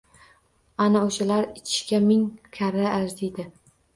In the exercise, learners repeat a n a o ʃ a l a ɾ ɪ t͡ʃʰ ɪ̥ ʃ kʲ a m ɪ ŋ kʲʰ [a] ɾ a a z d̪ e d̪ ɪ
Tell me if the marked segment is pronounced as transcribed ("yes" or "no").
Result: yes